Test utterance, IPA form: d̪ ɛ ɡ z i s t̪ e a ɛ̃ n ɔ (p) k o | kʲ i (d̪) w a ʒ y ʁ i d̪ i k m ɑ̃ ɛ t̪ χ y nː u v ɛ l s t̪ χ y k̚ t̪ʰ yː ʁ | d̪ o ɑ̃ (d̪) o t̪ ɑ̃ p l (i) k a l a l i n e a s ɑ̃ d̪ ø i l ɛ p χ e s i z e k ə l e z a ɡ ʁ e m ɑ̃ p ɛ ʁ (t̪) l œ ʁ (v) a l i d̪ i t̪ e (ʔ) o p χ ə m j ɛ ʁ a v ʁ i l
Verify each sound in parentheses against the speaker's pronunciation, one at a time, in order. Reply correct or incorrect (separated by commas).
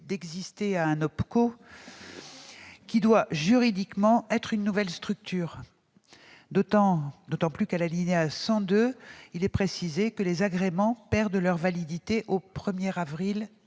correct, correct, correct, incorrect, incorrect, correct, correct